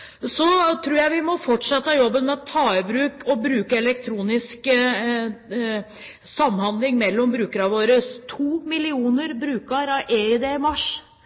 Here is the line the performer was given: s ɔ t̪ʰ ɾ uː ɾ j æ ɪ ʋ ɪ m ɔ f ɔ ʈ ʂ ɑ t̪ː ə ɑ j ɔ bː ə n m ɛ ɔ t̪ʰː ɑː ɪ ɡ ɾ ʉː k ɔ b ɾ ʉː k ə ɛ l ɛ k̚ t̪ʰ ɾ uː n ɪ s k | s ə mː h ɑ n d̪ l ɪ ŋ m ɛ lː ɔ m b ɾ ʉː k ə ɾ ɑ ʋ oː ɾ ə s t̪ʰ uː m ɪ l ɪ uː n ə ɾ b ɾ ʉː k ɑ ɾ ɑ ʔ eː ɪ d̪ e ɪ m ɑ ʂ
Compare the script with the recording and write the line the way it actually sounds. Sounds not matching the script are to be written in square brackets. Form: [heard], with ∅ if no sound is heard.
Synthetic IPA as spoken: s ɔ t̪ʰ ɾ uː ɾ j æ ɪ ʋ ɪ m ɔ f ɔ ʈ ʂ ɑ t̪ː ə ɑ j ɔ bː ə n m ɛ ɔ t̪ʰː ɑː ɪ [b] ɾ ʉː k ɔ b ɾ ʉː k ə ɛ l ɛ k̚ t̪ʰ ɾ uː n ɪ s k | s [ɑ] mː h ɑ n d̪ l ɪ ŋ m ɛ lː ɔ m b ɾ ʉː k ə ɾ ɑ ʋ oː ɾ ə s t̪ʰ uː m ɪ l ɪ uː n ə ɾ b ɾ ʉː k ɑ ɾ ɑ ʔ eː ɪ d̪ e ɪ m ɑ ʂ

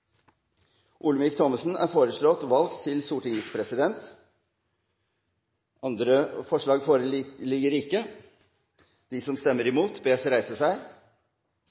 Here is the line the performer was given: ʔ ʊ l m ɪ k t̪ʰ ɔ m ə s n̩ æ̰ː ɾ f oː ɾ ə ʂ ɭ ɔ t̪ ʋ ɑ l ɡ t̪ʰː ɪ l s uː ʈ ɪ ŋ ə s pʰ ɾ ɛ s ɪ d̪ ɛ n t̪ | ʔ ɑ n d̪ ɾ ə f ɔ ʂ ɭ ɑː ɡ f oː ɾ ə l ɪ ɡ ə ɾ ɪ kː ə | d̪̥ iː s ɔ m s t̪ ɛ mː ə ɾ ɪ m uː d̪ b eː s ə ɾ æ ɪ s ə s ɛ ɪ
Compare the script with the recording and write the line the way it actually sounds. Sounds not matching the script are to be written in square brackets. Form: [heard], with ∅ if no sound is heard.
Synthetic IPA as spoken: ʔ ʊ l m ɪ k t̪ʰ ɔ m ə s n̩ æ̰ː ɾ f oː ɾ ə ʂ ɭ ɔ t̪ ʋ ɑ l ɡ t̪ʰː ɪ l s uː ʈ ɪ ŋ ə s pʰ ɾ ɛ s ɪ d̪ ɛ n t̪ | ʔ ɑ n d̪ ɾ ə f ɔ ʂ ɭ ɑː ɡ f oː ɾ ə l ɪ ɡ ə ɾ ɪ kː ə | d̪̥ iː s ɔ m s t̪ ɛ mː ə ɾ ɪ m uː [t̪] b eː s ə ɾ æ ɪ s ə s [æ] ɪ

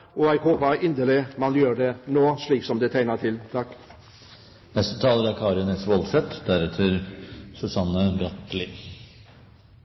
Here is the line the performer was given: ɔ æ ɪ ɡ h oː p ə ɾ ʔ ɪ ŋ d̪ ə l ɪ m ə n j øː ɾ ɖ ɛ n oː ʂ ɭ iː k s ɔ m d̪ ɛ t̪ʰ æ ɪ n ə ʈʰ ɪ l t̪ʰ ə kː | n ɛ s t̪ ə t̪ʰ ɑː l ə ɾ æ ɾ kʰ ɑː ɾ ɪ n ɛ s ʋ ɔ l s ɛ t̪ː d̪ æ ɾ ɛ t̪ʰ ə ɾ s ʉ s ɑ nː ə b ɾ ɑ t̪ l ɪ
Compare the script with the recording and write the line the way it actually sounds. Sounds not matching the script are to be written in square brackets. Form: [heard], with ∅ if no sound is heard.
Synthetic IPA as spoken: ɔ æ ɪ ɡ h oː p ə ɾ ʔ ɪ [n] d̪ ə l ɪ m [ɑ] n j øː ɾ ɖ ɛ n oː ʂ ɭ iː k s ɔ m d̪ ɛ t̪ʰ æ ɪ n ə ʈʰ ɪ l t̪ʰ [ɑ] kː | n ɛ s t̪ ə t̪ʰ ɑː l ə ɾ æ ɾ kʰ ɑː ɾ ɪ n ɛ s ʋ ɔ l s ɛ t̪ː d̪ æ ɾ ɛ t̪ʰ ə ɾ s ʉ s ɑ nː ə b ɾ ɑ t̪ l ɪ

